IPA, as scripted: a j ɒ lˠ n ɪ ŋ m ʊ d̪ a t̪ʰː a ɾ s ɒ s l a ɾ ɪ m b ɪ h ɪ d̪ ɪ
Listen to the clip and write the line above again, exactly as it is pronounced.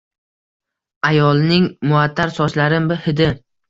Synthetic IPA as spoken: a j ɒ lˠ n ɪ ŋ m ʊ a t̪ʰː a ɾ s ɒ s l a ɾ ɪ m b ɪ h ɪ d̪ ɪ